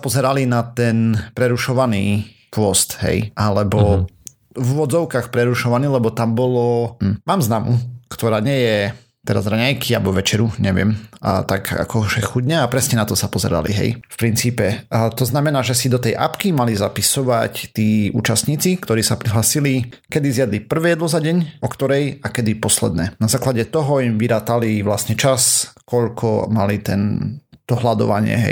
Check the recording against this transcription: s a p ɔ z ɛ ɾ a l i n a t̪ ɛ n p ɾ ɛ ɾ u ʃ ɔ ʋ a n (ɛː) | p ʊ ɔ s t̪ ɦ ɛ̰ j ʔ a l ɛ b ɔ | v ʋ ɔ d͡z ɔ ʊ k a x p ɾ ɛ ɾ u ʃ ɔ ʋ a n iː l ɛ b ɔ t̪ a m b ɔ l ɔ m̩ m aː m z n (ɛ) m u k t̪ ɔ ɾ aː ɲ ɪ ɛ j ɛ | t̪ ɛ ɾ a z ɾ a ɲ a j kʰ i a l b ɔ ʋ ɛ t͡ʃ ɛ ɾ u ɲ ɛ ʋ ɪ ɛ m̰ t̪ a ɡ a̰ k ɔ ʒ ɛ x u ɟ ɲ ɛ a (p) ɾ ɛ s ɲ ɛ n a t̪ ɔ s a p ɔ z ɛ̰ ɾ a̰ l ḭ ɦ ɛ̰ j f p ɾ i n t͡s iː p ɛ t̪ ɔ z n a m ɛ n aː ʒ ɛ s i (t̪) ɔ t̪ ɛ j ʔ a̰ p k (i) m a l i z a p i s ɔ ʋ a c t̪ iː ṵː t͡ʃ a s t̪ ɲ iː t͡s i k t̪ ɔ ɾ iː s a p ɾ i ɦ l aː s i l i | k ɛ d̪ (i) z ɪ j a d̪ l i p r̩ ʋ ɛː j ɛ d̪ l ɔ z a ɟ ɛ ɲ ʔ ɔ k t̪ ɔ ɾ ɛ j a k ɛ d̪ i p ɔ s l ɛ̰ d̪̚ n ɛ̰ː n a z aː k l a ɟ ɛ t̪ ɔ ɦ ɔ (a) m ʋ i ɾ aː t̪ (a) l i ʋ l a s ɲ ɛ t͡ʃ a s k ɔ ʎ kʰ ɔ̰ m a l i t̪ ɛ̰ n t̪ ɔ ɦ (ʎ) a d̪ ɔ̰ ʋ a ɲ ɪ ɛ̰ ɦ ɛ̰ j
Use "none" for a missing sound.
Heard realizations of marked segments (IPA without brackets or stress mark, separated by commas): iː, a, p, d̪, i, i, i, a, l